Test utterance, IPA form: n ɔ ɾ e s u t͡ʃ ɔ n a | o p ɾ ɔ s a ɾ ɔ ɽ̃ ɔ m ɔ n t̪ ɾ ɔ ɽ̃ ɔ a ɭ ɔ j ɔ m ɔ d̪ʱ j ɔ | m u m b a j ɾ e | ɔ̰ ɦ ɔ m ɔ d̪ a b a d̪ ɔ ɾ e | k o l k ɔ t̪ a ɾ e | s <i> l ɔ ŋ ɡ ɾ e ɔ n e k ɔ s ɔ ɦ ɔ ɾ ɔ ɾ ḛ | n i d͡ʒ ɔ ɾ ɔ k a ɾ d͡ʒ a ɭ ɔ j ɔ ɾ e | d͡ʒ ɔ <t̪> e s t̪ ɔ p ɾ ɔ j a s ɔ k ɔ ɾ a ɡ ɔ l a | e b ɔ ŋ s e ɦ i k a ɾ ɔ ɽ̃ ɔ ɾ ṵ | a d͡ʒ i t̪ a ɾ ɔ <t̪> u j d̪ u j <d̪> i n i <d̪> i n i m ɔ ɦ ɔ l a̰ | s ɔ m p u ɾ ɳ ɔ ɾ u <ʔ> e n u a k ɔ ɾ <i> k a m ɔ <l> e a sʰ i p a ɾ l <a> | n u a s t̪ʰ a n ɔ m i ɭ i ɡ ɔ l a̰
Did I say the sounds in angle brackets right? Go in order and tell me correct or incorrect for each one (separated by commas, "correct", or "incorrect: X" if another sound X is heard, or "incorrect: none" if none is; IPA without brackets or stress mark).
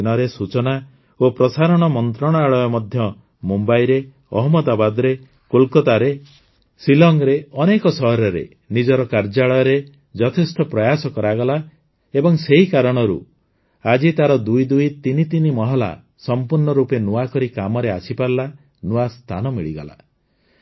correct, incorrect: t̪ʰ, incorrect: d̪, incorrect: t̪, incorrect: t̪, incorrect: p, correct, incorrect: ɾ, correct